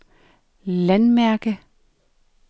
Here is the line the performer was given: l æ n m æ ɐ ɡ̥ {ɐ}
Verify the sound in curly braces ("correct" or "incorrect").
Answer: incorrect